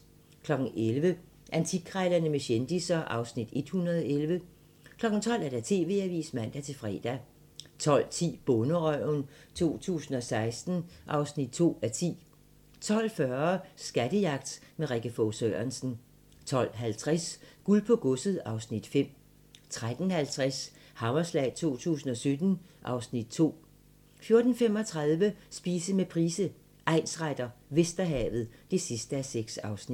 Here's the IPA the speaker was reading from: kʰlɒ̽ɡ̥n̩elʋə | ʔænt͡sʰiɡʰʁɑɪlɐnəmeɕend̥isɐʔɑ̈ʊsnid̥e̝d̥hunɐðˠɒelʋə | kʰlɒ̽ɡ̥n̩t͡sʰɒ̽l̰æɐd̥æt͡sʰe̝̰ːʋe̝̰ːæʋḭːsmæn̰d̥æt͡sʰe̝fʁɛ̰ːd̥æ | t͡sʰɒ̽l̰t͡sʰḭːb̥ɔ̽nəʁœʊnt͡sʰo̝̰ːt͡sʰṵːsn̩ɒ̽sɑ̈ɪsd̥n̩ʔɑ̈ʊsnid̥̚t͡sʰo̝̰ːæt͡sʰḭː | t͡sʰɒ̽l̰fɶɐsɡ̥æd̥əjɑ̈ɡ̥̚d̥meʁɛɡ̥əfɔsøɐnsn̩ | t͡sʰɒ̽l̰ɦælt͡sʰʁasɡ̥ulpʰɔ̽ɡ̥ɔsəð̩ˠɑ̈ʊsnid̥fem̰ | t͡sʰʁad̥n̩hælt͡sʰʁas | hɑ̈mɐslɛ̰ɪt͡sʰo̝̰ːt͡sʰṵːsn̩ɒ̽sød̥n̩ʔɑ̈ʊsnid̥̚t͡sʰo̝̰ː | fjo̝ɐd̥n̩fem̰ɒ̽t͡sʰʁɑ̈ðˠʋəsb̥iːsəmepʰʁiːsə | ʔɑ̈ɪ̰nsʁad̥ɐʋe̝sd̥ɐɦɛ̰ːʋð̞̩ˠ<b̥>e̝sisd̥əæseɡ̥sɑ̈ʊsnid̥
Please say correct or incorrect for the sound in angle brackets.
incorrect